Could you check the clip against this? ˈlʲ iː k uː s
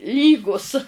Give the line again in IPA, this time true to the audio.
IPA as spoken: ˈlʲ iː ɡ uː s

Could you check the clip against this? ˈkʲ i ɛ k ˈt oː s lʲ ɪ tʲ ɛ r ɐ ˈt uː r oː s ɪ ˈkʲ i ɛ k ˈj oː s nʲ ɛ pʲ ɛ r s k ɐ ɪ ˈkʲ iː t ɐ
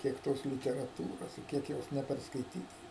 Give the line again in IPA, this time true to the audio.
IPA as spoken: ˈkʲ i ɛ k ˈt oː s lʲ ɪ tʲ ɛ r ɐ ˈt uː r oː s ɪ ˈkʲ i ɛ k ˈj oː s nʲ ɛ pʲ ɛ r s k ɐ ɪ ˈtʲ iː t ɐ

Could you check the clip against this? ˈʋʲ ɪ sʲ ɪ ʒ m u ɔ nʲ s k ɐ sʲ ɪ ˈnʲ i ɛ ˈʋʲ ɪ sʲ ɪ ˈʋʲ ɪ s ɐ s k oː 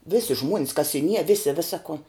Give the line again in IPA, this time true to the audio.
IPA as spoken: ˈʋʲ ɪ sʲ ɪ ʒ m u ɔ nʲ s k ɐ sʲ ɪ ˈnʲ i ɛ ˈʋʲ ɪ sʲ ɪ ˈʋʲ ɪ s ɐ k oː

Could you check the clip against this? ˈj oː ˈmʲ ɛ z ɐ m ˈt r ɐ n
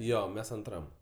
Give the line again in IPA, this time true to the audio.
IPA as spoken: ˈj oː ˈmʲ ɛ s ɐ n ˈt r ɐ m

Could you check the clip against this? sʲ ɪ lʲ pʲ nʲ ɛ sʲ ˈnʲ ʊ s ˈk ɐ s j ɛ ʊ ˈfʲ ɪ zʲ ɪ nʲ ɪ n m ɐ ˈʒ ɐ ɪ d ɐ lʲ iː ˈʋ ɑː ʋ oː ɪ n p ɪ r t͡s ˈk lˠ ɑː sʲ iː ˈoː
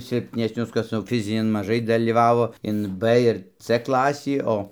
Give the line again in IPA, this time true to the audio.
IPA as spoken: sʲ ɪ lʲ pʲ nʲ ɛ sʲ ˈnʲ ʊ s ˈk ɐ s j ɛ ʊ ˈfʲ ɪ zʲ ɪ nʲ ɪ n m ɐ ˈʒ ɐ ɪ d ɐ lʲ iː ˈʋ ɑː ʋ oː ɪ n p ɪ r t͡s ˈk lˠ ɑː sʲ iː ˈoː

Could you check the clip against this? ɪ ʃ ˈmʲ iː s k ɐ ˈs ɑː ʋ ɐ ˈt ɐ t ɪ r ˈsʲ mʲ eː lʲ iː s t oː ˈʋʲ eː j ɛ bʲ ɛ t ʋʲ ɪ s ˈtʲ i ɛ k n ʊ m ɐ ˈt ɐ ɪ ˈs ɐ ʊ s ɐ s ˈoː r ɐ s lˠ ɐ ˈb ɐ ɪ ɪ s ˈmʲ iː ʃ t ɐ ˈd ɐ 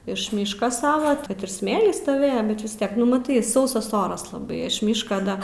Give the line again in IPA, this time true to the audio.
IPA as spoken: ɪ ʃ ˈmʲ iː ʃ k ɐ ˈs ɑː ʋ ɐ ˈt ɐ t ɪ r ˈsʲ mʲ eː lʲ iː s t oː ˈʋʲ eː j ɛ bʲ ɛ t ʋʲ ɪ s ˈtʲ i ɛ k n ʊ m ɐ ˈt ɐ ɪ ˈs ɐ ʊ s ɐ s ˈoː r ɐ s lˠ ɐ ˈb ɐ ɪ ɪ ʃ ˈmʲ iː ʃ k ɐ ˈd ɐ

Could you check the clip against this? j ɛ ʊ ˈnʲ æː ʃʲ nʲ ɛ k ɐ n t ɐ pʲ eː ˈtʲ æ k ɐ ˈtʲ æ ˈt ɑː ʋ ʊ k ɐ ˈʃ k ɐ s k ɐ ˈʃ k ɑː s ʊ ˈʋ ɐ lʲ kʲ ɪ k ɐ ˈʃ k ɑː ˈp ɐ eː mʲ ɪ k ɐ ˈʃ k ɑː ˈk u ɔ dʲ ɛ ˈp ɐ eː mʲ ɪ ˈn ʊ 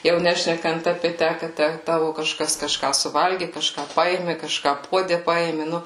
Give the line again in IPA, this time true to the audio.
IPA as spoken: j ɛ ʊ ˈnʲ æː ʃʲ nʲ ɛ k ɐ n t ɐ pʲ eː ˈtʲ æ k ɐ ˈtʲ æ ˈt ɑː ʋ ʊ k ɐ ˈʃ k ɐ s k ɐ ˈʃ k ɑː s ʊ ˈʋ ɐ lʲ ɡʲ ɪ k ɐ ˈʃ k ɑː ˈp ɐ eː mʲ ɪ k ɐ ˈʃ k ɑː ˈp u ɔ dʲ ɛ ˈp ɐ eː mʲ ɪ ˈn ʊ

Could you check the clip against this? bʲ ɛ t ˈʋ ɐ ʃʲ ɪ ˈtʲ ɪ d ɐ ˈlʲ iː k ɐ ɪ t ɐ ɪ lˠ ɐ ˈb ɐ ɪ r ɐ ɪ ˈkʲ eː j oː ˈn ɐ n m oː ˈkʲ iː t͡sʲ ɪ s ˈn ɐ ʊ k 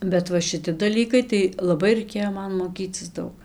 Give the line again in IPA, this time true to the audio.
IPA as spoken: bʲ ɛ t ˈʋ ɐ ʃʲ ɪ ˈtʲ ɪ d ɐ ˈlʲ iː k ɐ ɪ t ɐ ɪ lˠ ɐ ˈb ɐ ɪ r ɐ ɪ ˈkʲ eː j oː ˈm ɐ n m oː ˈkʲ iː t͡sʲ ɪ s ˈd ɐ ʊ k

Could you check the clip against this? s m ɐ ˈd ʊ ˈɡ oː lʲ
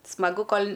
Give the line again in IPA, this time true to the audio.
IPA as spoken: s m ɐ ˈɡ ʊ ˈk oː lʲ

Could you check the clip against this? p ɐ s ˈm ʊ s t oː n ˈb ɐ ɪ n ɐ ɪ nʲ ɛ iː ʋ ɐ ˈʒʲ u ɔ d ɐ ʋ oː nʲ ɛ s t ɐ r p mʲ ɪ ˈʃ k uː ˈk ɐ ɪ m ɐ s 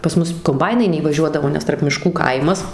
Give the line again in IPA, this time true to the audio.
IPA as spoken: p ɐ s ˈm ʊ s k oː m ˈb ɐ ɪ n ɐ ɪ nʲ ɛ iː ʋ ɐ ˈʒʲ u ɔ d ɐ ʋ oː nʲ ɛ s t ɐ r p mʲ ɪ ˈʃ k uː ˈk ɐ ɪ m ɐ s

